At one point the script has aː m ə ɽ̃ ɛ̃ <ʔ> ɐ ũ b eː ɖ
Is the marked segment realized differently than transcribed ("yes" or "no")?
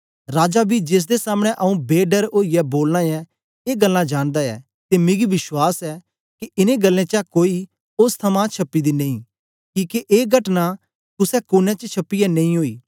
no